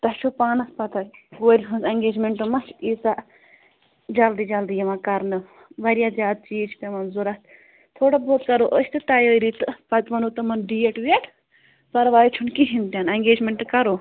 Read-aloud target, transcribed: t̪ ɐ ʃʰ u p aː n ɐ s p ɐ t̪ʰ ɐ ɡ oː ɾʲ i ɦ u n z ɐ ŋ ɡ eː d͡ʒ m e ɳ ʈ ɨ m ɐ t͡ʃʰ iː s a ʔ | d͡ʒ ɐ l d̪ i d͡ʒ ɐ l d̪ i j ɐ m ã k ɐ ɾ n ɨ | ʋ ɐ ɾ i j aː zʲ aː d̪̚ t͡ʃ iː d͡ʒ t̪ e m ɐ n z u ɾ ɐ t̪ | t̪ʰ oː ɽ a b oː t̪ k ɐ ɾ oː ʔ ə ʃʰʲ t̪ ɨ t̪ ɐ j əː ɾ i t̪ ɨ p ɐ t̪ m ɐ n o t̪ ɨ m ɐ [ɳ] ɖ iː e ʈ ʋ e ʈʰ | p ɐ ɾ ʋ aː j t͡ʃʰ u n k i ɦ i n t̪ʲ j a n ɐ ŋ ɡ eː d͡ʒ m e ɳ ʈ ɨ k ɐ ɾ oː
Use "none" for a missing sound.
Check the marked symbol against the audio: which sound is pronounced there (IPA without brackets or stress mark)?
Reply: n